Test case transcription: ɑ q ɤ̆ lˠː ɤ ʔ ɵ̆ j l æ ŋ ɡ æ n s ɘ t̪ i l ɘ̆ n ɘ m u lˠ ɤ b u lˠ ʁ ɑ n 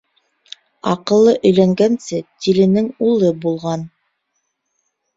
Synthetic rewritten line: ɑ q ɤ̆ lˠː ɤ ʔ ɵ̆ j l æ ŋ ɡ æ n s ɘ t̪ i l ɘ̆ n ɘ ŋ u lˠ ɤ b u lˠ ʁ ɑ n

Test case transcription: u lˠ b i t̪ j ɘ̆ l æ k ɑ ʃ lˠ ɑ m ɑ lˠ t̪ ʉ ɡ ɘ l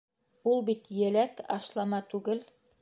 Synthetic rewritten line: u lˠ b i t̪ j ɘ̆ l æ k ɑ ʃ lˠ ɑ m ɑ t̪ ʉ ɡ ɘ l

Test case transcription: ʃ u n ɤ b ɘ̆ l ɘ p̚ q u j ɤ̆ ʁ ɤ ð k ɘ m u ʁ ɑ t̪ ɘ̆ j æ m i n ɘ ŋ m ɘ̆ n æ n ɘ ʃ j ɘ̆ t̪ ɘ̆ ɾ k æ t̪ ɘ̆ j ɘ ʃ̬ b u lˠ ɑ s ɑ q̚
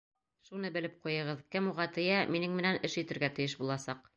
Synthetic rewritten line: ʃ u n ɤ b ɘ̆ l ɘ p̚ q u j ɤ̆ ʁ ɤ ð k ɘ m u ʁ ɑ t̪ ɘ̆ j æ m i n ɘ ŋ m ɘ̆ n æ n ɘ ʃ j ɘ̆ t̪ ɘ̆ ɾ ɡ æ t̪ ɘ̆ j ɘ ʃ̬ b u lˠ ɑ s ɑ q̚

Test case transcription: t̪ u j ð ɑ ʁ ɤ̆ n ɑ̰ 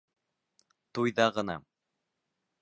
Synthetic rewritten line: t̪ u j ð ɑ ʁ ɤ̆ n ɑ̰

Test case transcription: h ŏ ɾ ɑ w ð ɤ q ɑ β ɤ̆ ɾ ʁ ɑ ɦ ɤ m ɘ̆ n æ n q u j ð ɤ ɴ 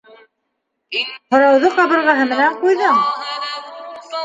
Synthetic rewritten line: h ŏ ɾ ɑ w ð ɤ q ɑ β ɤ̆ ɾ ʁ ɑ ɦ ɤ m ɘ̆ n æ ɴ q u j ð ɤ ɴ

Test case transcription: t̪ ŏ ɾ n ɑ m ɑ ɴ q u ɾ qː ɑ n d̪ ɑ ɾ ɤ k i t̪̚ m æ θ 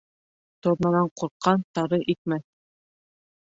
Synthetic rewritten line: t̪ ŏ ɾ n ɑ n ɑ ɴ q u ɾ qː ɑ n t̪ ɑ ɾ ɤ ʔ i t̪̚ m æ θ

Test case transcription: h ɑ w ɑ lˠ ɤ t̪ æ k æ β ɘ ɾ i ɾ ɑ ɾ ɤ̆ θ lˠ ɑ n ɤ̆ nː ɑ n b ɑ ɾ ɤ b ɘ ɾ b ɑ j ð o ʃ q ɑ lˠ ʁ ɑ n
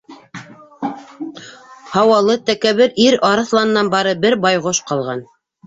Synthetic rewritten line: h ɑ w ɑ lˠ ɤ t̪ æ k æ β ɘ ɾ i ɾ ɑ ɾ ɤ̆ θ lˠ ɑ n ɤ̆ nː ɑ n b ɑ ɾ ɤ b ɘ ɾ b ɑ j ʁ o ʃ q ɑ lˠ ʁ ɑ n

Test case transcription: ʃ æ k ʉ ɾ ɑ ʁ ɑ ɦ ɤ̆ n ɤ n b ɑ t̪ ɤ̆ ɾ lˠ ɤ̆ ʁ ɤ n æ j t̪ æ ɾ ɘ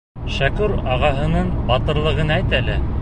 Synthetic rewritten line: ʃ æ k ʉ ɾ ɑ ʁ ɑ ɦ ɤ̆ n ɤ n b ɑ t̪ ɤ̆ ɾ lˠ ɤ̆ ʁ ɤ n æ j t̪ æ l ɘ

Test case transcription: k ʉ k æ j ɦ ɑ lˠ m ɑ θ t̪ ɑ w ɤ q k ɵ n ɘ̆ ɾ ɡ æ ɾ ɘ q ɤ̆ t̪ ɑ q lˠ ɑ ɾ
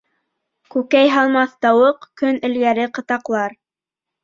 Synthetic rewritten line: k ʉ k æ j ɦ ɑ lˠ m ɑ θ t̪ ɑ w ɤ q k ɵ n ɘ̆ l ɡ æ ɾ ɘ q ɤ̆ t̪ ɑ q lˠ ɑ ɾ

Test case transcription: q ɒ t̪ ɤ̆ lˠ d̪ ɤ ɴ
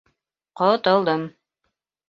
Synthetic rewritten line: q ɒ t̪ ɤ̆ lˠ d̪ ɤ m

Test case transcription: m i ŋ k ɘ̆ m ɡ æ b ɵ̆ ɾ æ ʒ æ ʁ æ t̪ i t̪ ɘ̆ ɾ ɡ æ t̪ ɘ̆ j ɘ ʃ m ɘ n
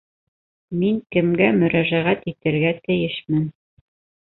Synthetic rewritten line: m i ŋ k ɘ̆ m ɡ æ m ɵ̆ ɾ æ ʒ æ ʁ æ t̪ i t̪ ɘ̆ ɾ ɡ æ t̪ ɘ̆ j ɘ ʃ m ɘ n

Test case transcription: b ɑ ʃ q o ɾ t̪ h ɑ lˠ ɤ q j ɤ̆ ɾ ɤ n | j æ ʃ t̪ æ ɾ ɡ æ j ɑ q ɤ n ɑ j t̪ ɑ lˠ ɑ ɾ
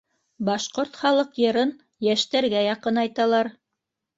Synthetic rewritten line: b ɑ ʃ q o ɾ t̪ χ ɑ lˠ ɤ q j ɤ̆ ɾ ɤ n | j æ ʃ t̪ æ ɾ ɡ æ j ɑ q ɤ n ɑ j t̪ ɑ lˠ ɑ ɾ

